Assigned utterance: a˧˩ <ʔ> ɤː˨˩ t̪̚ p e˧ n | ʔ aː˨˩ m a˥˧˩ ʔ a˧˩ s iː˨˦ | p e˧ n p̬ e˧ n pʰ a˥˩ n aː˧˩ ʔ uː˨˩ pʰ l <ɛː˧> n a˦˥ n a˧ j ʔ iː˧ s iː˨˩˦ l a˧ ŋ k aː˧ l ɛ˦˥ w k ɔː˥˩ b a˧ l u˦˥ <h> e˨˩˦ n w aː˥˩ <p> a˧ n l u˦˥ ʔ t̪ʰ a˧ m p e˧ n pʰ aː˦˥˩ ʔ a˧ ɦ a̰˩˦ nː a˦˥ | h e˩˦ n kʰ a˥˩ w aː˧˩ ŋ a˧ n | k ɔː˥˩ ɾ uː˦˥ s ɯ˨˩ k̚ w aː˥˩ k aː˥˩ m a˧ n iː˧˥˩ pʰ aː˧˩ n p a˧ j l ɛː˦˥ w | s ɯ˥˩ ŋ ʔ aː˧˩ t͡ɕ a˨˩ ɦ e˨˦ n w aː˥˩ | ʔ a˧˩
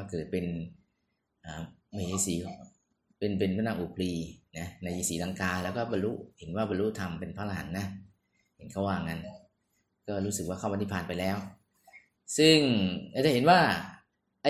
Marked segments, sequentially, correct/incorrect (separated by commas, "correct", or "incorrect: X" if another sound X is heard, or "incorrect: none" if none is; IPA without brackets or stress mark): incorrect: k, incorrect: iː˧, correct, incorrect: b